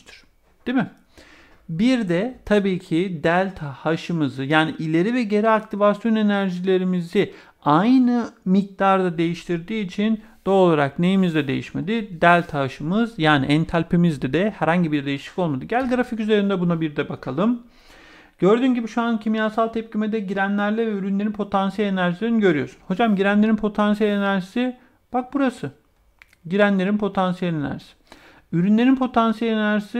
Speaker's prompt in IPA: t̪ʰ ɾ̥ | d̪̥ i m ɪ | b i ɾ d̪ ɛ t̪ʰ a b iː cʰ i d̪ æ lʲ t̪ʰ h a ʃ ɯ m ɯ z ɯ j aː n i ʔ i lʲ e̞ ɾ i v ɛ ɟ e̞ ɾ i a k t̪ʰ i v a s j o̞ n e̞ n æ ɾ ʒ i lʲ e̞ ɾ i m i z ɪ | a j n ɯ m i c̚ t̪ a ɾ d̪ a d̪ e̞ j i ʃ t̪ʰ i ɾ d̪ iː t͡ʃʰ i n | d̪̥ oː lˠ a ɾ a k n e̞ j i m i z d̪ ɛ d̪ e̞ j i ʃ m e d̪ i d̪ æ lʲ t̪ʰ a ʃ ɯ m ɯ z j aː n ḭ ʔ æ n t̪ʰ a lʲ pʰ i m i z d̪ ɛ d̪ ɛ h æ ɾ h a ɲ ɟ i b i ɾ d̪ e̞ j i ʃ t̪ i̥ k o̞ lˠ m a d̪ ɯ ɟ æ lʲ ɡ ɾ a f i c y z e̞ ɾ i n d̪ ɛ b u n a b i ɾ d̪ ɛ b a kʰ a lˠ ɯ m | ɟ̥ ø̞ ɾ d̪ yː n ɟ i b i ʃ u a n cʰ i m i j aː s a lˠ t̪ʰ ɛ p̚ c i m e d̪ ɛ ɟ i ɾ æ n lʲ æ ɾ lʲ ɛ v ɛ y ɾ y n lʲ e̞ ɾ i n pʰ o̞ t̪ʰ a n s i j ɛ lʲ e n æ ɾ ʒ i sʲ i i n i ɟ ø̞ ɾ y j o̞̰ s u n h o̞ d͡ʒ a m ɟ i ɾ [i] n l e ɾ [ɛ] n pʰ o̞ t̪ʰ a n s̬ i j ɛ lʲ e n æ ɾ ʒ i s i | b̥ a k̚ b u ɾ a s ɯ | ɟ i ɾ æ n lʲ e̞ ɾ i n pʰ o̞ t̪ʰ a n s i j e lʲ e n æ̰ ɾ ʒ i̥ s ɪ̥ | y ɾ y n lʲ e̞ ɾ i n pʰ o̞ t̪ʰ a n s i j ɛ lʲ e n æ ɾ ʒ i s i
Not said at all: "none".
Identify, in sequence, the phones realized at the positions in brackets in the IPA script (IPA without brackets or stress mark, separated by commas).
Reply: æ, i